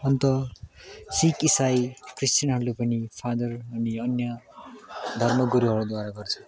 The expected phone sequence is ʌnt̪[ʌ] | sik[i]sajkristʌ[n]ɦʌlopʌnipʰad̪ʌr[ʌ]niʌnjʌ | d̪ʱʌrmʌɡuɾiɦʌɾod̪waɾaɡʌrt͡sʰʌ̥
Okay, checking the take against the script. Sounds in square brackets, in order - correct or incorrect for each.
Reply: correct, correct, correct, correct

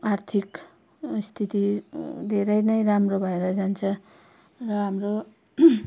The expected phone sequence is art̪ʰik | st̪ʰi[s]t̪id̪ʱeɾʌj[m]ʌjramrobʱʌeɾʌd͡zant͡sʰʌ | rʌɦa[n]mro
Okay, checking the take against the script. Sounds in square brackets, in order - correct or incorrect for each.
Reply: incorrect: none, incorrect: n, incorrect: none

